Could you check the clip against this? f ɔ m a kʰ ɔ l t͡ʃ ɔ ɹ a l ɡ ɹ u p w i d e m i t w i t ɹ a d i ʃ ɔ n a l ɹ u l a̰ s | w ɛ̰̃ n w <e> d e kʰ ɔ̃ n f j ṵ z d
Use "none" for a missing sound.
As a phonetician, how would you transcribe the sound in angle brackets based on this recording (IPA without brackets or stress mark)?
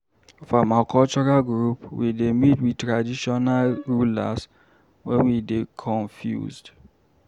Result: i